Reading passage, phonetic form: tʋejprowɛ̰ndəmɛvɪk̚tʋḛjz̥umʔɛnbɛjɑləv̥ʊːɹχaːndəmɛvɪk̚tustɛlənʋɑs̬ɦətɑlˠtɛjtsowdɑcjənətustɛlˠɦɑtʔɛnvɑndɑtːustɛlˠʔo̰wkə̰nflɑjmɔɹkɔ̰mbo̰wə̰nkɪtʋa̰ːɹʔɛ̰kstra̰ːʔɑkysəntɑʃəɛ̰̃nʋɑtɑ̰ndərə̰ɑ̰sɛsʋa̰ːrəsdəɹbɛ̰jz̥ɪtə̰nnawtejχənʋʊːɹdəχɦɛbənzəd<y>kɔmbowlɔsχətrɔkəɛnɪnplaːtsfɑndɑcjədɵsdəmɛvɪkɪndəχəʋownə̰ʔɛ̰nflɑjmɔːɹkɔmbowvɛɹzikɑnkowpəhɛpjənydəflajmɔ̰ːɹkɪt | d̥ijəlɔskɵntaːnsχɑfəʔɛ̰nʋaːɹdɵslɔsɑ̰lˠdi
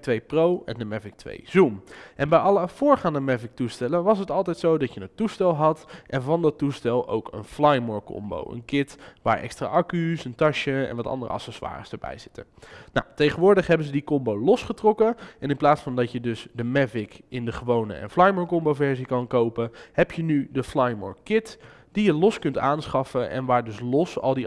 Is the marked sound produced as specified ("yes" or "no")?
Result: no